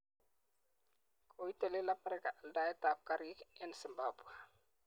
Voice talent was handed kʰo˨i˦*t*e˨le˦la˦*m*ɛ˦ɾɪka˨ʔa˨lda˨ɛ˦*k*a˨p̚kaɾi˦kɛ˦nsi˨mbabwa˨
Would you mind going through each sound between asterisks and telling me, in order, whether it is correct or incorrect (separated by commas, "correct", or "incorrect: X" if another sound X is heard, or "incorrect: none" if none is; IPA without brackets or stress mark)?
correct, correct, incorrect: t